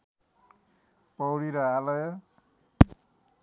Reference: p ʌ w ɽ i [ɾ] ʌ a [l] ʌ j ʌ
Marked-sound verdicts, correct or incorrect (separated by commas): correct, correct